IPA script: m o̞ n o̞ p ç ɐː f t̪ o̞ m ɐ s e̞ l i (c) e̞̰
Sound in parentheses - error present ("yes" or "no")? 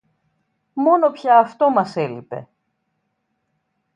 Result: yes